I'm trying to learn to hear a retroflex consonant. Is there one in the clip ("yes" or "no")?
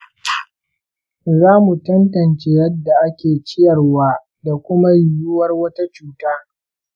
no